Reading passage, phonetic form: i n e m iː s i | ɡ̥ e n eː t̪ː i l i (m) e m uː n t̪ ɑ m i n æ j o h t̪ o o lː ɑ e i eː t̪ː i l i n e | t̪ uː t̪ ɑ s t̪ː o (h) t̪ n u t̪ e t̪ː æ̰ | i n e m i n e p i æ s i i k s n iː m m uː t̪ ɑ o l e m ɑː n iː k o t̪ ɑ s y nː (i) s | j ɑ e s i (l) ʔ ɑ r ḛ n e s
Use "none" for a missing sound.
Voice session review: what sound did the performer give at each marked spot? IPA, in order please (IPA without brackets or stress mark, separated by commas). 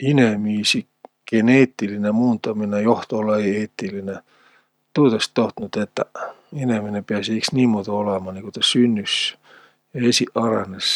n, h, y, none